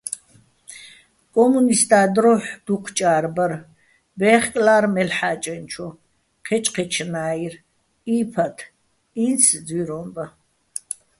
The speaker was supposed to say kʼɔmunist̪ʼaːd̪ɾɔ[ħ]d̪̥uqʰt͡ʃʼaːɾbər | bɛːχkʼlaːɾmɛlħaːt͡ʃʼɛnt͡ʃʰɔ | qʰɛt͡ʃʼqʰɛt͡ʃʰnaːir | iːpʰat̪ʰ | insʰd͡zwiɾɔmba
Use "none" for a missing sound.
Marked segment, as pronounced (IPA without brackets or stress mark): ħ